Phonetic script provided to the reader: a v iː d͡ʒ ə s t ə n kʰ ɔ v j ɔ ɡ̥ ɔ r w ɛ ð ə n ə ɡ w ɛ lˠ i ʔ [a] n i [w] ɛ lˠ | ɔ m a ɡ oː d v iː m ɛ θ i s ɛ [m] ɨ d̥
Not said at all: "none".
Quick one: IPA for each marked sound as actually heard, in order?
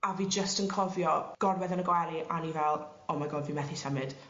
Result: a, v, m

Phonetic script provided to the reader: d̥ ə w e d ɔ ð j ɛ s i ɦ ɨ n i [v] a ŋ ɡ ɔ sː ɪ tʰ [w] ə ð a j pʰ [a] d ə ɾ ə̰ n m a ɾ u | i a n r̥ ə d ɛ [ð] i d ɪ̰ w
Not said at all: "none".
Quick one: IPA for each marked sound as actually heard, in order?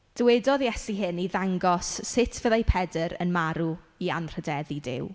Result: ð, v, ɛ, ð

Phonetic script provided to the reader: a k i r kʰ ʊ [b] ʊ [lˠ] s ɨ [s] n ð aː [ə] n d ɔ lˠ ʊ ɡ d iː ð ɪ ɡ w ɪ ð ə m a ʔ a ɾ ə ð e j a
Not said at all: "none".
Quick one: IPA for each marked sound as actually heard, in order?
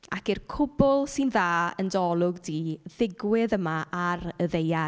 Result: b, lˠ, none, ə

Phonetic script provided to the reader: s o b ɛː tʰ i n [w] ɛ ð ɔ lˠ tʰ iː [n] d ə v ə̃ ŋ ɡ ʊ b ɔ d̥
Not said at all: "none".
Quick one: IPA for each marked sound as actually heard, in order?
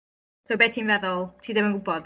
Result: v, none

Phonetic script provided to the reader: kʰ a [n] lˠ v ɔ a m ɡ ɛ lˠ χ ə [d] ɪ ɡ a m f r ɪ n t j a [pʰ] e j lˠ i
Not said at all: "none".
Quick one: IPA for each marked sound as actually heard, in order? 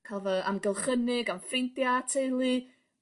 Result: none, n, tʰ

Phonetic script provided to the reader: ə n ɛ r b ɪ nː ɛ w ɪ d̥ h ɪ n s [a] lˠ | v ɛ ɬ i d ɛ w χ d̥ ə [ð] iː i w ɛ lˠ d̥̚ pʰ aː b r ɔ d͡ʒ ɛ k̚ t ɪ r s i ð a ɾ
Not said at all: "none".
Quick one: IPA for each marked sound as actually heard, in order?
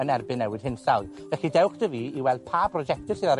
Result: a, v

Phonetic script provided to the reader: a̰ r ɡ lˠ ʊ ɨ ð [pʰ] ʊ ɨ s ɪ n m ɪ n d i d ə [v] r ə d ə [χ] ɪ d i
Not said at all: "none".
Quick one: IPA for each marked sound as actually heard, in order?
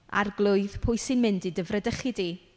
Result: pʰ, v, χ

